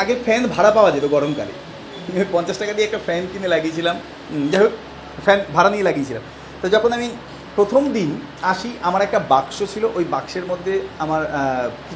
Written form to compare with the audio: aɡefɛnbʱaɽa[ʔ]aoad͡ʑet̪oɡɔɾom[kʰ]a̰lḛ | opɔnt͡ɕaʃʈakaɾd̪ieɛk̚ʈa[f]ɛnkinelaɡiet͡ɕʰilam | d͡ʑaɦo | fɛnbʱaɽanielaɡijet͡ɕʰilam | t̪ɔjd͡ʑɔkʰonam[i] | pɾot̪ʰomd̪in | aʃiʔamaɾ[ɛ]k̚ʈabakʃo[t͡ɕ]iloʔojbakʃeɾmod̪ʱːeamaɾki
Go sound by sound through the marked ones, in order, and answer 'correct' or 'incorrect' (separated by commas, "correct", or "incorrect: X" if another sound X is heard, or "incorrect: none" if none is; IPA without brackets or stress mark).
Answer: incorrect: p, incorrect: k, correct, correct, correct, incorrect: t͡ɕʰ